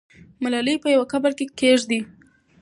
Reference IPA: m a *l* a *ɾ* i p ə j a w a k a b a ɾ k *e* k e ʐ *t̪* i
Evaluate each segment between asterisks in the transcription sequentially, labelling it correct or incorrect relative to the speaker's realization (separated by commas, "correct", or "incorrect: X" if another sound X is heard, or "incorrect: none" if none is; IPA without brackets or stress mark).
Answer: correct, incorrect: l, correct, incorrect: d̪